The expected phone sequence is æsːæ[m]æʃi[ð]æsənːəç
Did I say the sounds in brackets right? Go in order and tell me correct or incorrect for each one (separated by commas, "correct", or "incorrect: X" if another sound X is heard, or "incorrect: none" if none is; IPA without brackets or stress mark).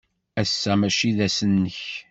correct, correct